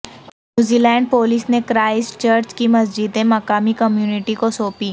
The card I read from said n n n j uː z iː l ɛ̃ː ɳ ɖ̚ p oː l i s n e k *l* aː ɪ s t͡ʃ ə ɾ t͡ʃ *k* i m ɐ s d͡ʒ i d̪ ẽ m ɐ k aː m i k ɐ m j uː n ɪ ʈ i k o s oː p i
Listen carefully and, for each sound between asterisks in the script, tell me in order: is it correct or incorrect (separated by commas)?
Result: incorrect, correct